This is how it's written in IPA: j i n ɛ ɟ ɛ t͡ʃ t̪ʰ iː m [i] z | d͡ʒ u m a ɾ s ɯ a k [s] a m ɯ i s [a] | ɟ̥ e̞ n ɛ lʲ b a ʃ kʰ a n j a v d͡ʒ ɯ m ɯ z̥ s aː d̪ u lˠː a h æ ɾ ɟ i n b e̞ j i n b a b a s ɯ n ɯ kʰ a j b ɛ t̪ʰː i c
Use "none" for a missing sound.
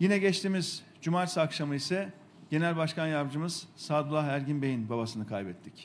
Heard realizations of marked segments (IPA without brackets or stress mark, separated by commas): i, ʃ, ɛ